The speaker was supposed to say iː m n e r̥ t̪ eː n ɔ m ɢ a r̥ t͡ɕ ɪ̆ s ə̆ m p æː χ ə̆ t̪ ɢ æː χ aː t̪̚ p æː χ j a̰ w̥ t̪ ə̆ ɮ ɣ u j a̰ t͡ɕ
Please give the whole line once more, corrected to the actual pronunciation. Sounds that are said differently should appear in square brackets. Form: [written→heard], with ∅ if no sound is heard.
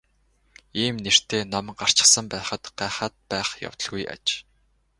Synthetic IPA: iː m n e r̥ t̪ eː n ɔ m ɢ a r̥ t͡ɕ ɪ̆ s ə̆ m p æː χ ə̆ t̪ ɢ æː χ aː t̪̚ p æː χ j a̰ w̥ t̪ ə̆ ɮ ɣ u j a̰ t͡ɕ